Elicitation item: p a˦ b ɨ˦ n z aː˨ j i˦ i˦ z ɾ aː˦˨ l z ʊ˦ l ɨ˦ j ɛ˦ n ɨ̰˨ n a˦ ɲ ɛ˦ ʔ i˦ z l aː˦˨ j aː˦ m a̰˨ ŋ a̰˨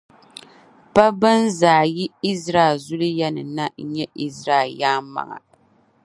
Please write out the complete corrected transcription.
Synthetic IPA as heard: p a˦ b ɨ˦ n z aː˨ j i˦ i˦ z ɾ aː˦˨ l z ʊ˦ l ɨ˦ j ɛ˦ n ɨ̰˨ n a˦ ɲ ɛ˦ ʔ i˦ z ɾ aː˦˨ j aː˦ m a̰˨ ŋ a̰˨